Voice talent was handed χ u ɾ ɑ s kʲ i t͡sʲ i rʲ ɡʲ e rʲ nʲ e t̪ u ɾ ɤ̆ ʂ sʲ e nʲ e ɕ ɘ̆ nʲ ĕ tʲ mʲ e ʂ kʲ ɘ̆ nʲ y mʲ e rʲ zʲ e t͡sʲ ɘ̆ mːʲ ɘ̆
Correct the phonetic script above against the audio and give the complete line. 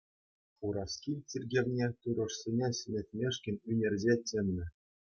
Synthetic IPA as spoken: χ u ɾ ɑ s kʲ i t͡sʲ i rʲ ɡʲ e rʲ nʲ e t̪ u ɾ ɤ̆ ʂ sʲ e nʲ e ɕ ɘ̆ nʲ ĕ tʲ mʲ e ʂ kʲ ɘ̆ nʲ y nʲ e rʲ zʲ e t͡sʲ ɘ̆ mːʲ ɘ̆